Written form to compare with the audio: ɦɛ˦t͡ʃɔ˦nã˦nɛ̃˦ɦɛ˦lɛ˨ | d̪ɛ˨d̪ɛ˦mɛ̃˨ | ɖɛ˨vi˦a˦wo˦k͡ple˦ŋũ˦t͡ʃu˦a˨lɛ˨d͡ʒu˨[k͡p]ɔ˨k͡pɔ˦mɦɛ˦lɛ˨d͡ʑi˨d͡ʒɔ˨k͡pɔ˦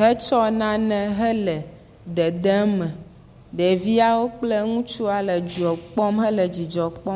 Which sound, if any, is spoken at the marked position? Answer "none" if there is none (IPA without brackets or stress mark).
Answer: none